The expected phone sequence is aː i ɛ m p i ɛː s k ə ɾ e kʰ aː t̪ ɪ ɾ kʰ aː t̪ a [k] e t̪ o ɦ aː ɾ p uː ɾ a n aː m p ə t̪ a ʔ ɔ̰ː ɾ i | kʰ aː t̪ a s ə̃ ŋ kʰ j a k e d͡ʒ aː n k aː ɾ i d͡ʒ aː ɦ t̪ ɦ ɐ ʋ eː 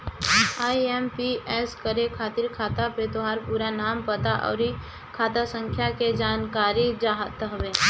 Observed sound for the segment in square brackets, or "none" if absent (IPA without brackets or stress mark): p